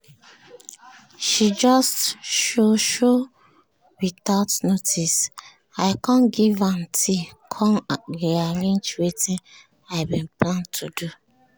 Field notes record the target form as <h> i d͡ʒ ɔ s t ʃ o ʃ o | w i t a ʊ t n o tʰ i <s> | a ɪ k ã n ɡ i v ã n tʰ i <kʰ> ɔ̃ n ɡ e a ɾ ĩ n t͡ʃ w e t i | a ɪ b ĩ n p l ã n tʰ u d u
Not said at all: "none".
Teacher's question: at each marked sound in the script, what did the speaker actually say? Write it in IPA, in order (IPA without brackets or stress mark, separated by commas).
ʃ, s, kʰ